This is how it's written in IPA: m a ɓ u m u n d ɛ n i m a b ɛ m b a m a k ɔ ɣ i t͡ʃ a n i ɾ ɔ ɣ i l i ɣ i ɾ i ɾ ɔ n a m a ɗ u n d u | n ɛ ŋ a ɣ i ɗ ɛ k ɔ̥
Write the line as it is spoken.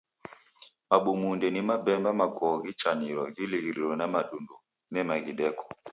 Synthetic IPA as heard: m a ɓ u m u n d ɛ n i m a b ɛ m b a m a k ɔ ɣ i t͡ʃ a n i ɾ ɔ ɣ i l i ɣ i ɾ i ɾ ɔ n a m a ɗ u n d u | n ɛ m a ɣ i ɗ ɛ k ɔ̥